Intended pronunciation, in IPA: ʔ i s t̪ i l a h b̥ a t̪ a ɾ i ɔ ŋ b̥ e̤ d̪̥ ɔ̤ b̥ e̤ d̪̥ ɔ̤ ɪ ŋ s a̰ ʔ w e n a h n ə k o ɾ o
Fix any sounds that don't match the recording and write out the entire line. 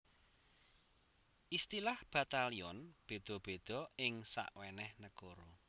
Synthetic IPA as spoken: ʔ i s t̪ i l a h b̥ a t̪ a l i ɔ n b̥ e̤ d̪̥ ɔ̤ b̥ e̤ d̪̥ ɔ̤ ɪ ŋ s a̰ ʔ w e n ɛ h n ə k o ɾ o